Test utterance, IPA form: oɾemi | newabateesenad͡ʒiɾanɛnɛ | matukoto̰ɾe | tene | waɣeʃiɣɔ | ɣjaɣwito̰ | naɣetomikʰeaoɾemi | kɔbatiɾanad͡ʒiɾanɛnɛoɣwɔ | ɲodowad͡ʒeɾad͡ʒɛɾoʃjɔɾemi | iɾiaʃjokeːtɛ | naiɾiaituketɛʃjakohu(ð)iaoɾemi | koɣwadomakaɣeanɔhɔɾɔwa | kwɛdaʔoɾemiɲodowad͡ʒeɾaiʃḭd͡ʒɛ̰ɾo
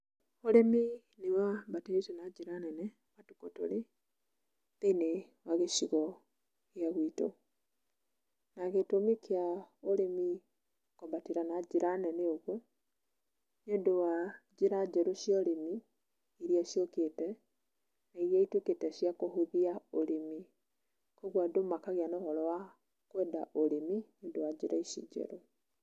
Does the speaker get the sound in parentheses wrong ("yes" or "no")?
no